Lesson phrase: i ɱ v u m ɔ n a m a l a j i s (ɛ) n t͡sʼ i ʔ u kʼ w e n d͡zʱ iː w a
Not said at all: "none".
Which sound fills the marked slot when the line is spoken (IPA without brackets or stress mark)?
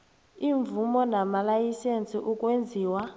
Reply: e